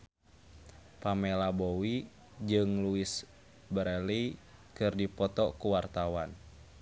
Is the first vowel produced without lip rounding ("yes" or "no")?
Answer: yes